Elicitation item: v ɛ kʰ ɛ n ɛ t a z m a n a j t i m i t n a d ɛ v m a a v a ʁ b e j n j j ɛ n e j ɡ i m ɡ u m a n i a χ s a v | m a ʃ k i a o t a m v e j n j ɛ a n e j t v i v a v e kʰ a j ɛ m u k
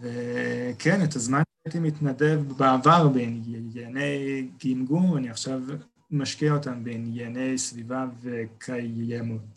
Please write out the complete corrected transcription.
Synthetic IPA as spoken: v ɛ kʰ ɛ n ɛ t a z m a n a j t i m i t n a d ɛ v b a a v a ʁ b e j n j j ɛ n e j ɡ i m ɡ u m a n i a χ ʃ a v | m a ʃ k i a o t a m b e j n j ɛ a n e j s v i v a v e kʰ a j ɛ m u t